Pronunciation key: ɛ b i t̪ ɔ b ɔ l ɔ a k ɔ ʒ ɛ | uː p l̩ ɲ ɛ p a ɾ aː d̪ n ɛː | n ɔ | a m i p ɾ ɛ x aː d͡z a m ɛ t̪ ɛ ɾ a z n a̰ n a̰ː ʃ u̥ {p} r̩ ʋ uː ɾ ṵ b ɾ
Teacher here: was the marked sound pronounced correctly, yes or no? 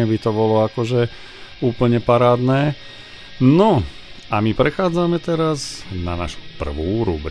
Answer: yes